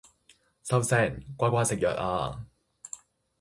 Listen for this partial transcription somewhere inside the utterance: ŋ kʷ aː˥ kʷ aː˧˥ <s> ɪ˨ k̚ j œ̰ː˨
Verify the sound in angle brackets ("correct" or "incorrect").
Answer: correct